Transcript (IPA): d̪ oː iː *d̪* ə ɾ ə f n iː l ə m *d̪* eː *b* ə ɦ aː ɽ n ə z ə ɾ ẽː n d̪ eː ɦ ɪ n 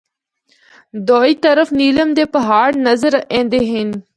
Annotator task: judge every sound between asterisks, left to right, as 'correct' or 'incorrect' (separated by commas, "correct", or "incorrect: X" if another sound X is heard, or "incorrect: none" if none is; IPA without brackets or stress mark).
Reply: incorrect: t̪, correct, incorrect: p